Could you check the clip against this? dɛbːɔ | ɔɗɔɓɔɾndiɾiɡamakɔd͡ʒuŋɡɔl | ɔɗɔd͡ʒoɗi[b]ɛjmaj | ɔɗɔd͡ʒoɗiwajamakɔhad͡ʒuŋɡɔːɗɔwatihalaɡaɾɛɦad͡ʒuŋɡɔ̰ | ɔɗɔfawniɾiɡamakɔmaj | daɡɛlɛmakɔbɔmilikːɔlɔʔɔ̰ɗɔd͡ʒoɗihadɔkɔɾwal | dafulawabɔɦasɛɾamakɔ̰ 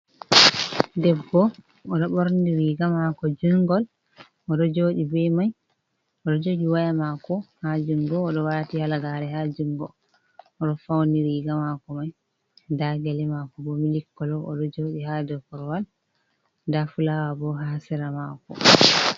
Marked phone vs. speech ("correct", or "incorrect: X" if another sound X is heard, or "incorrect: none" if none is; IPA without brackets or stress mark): correct